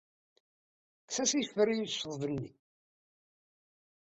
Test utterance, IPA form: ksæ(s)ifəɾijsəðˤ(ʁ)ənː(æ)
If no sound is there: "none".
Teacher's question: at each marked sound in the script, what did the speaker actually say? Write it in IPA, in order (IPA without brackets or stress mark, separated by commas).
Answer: s, v, i